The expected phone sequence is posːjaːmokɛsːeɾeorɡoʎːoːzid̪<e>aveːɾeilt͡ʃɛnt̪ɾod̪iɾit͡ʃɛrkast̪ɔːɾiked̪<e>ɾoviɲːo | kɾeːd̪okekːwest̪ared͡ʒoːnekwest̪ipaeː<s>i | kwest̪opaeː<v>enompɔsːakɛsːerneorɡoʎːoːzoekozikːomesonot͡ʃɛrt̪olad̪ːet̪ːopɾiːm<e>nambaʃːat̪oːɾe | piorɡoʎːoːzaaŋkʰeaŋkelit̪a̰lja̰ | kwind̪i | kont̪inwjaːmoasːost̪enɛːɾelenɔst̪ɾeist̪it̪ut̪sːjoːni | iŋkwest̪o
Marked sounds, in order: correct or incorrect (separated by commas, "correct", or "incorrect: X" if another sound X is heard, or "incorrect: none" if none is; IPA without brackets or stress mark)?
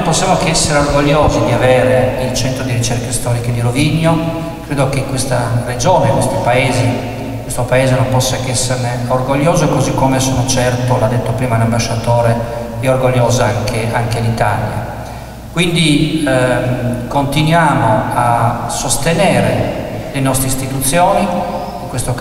incorrect: i, incorrect: i, incorrect: z, incorrect: z, incorrect: a